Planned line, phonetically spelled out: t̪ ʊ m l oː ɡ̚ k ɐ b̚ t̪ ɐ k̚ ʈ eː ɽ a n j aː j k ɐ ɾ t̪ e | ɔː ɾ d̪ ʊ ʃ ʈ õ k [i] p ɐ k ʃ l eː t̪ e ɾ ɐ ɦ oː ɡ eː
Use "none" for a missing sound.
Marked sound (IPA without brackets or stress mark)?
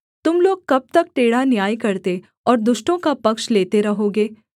a